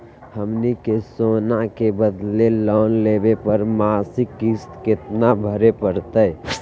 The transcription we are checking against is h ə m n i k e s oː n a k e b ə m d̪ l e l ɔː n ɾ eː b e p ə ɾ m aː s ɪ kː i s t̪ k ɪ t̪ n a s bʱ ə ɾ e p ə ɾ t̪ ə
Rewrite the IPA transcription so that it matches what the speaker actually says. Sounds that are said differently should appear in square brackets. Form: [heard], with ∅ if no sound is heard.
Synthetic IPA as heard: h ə m n i k e s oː n a k e b ə [∅] d̪ l e l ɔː n [l] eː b e p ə ɾ m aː s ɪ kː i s t̪ k ɪ t̪ n a [∅] bʱ ə ɾ e p ə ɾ t̪ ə